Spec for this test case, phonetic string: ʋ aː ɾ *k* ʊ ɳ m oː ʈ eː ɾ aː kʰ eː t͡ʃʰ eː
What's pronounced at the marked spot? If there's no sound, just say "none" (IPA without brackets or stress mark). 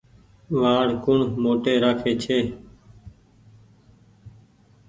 k